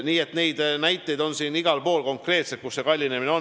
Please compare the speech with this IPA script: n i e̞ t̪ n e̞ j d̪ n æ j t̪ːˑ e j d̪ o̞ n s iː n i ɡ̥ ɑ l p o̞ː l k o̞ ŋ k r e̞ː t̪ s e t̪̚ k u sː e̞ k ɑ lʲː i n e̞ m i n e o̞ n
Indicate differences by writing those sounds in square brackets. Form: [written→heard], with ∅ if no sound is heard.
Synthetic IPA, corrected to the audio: n [i→iː] e̞ t̪ n e̞ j d̪ n æ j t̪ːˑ e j d̪ o̞ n s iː n i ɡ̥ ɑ l p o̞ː l k o̞ ŋ k r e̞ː t̪ s e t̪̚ k u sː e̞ k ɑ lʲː i n e̞ m i n e o̞ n

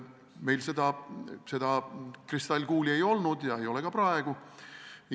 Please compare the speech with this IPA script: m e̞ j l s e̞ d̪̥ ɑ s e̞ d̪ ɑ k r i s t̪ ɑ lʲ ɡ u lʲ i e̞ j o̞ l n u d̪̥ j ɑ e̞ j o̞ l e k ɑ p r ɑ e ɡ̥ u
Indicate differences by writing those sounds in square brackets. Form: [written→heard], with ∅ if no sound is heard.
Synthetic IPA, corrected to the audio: m e̞ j l s e̞ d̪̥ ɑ s e̞ d̪ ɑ k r i s t̪ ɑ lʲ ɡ [u→uː] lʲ i e̞ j o̞ l n u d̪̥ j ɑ e̞ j o̞ l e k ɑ p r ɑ e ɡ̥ u

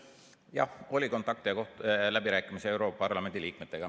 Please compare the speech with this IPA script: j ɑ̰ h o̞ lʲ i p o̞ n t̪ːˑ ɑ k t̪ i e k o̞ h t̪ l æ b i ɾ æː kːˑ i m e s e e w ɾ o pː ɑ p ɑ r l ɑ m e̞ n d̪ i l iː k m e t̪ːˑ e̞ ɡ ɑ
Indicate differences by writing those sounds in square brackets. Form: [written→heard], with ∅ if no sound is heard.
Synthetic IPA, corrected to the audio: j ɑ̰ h o̞ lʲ i [p→k] o̞ n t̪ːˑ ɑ k t̪ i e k o̞ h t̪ l æ b i ɾ æː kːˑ i m [e→i] s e e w ɾ o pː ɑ p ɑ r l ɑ m e̞ n d̪ i l iː k m e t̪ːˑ e̞ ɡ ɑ

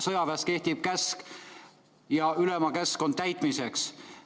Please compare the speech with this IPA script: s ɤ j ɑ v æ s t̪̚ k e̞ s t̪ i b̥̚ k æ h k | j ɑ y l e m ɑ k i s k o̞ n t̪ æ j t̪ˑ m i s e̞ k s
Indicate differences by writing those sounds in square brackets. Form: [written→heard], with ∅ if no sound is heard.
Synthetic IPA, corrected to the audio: s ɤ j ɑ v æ s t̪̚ k e̞ [s→h] t̪ i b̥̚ k æ [h→s] k | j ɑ y l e m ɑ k [i→æ] s k o̞ n t̪ æ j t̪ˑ m i s e̞ k s

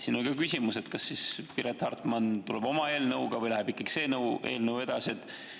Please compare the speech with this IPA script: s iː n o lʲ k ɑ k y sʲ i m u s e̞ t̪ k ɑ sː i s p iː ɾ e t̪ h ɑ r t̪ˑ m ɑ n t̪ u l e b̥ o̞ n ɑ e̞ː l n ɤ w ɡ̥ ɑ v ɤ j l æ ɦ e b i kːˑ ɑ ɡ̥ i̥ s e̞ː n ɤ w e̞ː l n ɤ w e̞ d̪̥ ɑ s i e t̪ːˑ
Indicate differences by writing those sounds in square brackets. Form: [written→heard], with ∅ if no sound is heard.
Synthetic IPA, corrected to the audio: s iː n o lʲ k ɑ k y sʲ i m u s e̞ t̪ k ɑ sː i s p [iː→i] ɾ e t̪ h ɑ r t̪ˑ m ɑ n t̪ u l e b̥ o̞ [n→m] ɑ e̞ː l n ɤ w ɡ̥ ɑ v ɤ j l æ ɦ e b i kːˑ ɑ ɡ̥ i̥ s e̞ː n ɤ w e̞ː l n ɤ w e̞ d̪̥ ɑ s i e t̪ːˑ

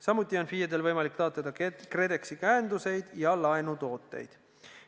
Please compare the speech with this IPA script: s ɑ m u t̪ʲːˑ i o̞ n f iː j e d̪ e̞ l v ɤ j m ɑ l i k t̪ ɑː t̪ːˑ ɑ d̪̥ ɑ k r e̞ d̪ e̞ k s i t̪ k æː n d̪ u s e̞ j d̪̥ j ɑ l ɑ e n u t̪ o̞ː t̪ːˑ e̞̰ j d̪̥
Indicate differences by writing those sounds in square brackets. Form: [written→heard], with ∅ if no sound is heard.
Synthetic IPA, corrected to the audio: s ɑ m u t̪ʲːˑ i o̞ n f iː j e d̪ e̞ l v ɤ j m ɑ l i k t̪ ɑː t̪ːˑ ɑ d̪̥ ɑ k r e̞ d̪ e̞ k s i [t̪→∅] k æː n d̪ u s e̞ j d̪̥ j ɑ l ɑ e n u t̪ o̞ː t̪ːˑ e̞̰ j d̪̥

